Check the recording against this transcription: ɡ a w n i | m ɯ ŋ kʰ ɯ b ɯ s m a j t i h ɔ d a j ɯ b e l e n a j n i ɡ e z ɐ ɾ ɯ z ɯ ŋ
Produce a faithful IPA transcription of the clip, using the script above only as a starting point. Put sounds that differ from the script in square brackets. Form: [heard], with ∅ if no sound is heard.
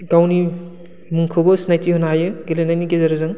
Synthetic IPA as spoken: ɡ a w n i | m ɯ ŋ kʰ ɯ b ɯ s [n] a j t i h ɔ [n] a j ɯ [ɡ] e l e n a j n i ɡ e z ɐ ɾ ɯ z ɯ ŋ